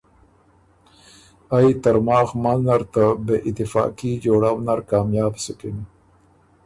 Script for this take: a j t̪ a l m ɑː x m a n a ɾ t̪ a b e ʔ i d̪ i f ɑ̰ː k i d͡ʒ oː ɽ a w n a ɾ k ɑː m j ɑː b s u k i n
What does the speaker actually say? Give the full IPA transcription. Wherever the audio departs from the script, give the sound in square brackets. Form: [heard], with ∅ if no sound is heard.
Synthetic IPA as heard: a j t̪ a [ɾ] m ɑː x m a n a ɾ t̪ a b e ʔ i [t̪] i f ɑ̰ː k i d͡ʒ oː ɽ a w n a ɾ k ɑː m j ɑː b s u k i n